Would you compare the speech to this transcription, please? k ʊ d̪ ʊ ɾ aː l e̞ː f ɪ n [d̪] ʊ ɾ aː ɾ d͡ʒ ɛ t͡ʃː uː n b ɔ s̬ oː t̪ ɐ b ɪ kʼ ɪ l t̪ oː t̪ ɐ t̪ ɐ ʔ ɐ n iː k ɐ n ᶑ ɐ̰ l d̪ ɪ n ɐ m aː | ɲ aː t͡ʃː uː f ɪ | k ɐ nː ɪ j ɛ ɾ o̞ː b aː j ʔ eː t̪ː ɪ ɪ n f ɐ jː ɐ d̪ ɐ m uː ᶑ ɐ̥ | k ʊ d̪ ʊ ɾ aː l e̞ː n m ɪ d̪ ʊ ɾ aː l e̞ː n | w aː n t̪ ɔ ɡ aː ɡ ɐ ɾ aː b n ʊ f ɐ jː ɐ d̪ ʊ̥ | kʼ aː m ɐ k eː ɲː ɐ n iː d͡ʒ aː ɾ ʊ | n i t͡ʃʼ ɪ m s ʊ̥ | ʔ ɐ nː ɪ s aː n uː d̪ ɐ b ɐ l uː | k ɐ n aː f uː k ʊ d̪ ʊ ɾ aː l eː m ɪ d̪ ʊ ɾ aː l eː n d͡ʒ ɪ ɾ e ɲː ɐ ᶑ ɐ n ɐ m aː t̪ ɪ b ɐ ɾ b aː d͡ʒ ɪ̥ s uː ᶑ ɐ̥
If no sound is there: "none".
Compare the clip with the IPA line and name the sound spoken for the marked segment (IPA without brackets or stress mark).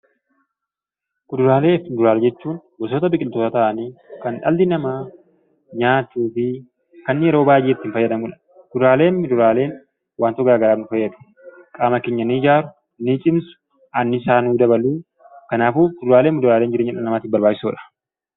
d̪